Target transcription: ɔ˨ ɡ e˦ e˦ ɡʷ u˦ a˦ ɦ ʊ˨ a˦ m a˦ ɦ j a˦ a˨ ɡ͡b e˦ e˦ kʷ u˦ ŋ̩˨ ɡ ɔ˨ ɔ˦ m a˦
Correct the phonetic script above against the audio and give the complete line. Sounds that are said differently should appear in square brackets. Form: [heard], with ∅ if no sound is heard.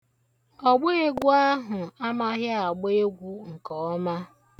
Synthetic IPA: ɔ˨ [ɡ͡b] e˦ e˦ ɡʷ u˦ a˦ ɦ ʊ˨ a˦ m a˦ ɦ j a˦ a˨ ɡ͡b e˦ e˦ [ɡʷ] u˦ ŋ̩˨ [k] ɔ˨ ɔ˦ m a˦